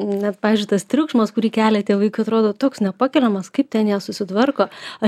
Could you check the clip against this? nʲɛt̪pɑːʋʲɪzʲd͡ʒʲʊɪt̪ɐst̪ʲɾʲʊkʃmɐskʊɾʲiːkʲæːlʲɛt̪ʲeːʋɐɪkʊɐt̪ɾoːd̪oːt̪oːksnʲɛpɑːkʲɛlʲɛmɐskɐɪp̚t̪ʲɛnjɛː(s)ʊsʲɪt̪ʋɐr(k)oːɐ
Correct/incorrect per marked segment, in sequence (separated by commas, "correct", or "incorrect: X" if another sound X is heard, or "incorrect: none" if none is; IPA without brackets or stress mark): correct, correct